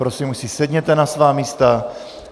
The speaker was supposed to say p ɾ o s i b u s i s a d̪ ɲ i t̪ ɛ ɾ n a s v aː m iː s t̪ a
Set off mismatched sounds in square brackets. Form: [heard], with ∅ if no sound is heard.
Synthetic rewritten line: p ɾ o s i [m] u s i s [ɛ] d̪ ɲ [ɛ] t̪ ɛ [∅] n a s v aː m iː s t̪ a

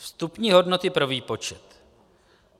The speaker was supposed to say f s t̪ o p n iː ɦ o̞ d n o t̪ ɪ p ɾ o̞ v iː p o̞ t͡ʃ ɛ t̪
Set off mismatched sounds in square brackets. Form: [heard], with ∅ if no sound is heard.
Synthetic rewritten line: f s t̪ [u] p [ɲ] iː ɦ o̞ d n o t̪ ɪ p ɾ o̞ v iː p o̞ t͡ʃ ɛ t̪

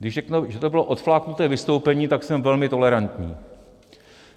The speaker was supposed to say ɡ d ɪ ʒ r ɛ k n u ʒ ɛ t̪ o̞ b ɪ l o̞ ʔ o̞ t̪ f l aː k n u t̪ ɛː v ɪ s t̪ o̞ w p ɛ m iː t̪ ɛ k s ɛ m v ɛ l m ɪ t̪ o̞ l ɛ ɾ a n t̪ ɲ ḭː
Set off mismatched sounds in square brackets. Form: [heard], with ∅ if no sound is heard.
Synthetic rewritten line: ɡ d ɪ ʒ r ɛ k n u ʒ ɛ t̪ o̞ b ɪ l o̞ ʔ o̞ t̪ f l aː k n u t̪ ɛː v ɪ s t̪ o̞ w p ɛ [ɲ] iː t̪ [a] k s ɛ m v ɛ l m ɪ t̪ o̞ l ɛ ɾ a n t̪ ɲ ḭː

